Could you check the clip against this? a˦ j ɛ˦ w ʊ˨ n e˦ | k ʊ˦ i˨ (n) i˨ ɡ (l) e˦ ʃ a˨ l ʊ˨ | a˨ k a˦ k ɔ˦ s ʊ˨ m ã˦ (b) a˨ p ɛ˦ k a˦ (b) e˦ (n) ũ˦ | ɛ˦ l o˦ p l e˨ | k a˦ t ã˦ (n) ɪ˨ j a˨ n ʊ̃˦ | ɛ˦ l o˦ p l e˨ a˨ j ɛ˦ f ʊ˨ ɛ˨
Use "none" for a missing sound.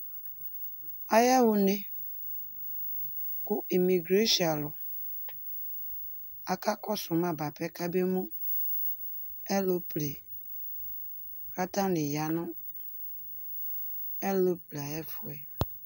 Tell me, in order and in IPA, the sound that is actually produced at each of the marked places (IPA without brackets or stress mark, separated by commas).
m, ɾ, b, b, m, n